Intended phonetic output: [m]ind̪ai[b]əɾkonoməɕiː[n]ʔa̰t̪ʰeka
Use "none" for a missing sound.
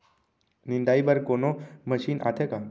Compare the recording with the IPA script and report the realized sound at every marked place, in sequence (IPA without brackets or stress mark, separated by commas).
n, b, n